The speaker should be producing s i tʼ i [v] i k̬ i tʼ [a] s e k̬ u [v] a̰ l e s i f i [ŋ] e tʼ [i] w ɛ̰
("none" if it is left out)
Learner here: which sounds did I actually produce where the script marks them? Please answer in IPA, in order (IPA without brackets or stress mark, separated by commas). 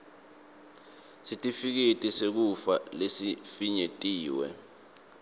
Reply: f, i, f, ɲ, iː